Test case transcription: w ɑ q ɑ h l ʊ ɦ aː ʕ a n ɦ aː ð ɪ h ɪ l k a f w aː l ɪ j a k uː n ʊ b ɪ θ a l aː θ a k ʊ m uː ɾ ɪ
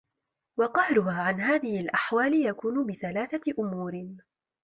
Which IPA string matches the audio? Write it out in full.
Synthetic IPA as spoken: w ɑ q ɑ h ɾ ʊ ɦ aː ʕ a n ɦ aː ð ɪ h ɪ l ʔ a ħ w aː l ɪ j a k uː n ʊ b ɪ θ a l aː θ a ʔ ʊ m uː ɾ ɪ